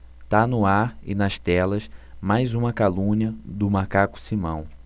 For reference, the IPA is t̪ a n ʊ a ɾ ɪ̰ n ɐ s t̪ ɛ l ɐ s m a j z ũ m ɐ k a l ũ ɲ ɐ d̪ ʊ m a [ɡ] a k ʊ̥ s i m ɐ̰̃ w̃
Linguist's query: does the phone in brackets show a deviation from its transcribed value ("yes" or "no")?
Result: yes